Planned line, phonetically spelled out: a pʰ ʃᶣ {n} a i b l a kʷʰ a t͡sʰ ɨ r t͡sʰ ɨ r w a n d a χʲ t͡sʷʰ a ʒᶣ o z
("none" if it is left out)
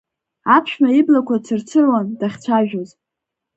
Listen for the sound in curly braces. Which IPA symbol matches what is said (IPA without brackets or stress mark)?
m